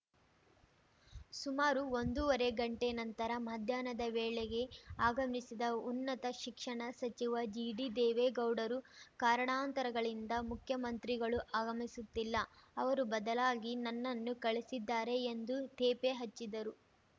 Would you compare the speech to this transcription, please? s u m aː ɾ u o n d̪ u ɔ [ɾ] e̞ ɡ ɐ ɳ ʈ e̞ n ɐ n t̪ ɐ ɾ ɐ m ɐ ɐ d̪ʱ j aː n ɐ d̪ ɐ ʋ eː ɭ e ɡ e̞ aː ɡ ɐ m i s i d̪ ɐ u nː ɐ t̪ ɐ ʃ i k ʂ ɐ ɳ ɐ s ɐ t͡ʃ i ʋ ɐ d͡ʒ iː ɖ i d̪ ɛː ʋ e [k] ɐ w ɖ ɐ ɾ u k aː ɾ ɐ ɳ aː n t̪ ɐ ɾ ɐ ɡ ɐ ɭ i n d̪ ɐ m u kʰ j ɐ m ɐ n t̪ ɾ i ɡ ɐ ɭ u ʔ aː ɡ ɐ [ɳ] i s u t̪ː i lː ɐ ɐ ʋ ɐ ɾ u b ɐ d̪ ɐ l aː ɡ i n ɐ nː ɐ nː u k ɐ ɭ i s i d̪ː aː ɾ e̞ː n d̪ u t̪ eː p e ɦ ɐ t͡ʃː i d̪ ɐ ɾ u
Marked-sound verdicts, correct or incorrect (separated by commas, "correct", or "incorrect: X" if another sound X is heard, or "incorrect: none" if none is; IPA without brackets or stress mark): correct, incorrect: ɡ, incorrect: m